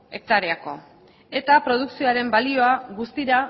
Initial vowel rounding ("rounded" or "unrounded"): unrounded